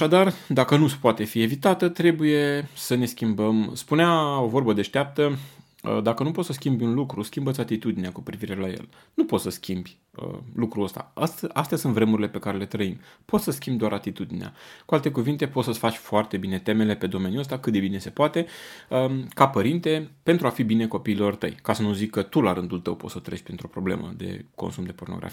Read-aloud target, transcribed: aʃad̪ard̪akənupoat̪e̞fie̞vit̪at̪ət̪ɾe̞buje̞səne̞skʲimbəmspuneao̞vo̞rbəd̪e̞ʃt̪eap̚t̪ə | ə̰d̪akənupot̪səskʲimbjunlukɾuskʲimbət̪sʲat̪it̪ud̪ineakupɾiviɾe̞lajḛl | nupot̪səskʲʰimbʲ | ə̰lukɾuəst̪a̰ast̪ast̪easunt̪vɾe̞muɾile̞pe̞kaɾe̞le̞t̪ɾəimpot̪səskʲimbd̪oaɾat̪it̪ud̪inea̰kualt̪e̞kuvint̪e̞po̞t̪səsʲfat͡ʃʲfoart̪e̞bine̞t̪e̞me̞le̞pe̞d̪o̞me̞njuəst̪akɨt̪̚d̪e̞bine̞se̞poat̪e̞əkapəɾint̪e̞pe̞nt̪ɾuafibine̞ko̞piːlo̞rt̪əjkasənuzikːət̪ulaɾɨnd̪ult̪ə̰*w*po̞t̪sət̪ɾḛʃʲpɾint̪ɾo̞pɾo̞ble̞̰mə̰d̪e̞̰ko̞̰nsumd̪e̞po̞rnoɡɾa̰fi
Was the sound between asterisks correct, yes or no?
yes